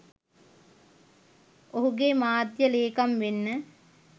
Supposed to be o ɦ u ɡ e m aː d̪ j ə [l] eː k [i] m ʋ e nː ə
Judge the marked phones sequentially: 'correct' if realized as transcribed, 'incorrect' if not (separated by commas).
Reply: correct, incorrect